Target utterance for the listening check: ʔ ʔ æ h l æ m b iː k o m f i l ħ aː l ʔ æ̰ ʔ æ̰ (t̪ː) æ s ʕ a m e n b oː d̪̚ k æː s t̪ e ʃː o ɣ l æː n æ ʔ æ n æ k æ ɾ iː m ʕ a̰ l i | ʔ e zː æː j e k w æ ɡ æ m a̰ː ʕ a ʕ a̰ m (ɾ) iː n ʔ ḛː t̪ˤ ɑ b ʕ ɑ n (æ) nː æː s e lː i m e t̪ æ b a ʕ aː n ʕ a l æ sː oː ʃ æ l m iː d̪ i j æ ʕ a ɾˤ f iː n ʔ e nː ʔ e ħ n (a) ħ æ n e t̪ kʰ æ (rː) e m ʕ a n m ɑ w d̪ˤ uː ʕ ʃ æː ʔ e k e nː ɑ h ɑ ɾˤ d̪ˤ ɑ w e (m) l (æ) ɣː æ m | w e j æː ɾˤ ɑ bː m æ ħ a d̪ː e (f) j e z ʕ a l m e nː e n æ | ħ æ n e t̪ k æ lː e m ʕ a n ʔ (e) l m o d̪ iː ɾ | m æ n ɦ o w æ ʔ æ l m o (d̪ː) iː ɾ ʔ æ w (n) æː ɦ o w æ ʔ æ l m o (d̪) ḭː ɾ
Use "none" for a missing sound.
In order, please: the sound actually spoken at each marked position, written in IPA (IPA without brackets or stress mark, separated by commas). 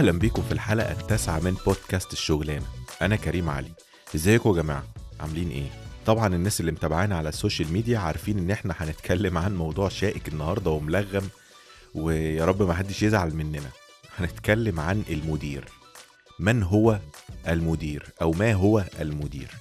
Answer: t̪ː, l, e, æ, lː, m, æ, ʃ, e, d̪, m, d̪